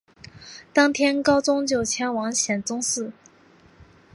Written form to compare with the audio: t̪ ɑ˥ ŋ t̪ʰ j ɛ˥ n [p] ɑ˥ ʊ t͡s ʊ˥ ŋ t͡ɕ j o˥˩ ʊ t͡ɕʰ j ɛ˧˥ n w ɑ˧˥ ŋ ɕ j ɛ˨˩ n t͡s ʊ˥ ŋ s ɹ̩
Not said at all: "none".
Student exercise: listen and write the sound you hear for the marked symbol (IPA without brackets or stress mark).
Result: k